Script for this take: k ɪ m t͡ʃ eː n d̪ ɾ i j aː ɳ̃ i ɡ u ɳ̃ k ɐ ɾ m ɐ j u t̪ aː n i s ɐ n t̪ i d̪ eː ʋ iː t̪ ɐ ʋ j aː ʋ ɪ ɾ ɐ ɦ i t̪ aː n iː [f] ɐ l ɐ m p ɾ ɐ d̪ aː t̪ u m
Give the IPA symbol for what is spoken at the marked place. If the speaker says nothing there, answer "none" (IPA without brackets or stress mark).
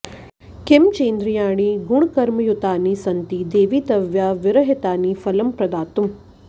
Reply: f